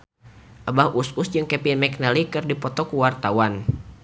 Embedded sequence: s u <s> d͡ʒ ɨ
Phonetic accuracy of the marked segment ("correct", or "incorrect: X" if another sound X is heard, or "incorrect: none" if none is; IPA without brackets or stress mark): correct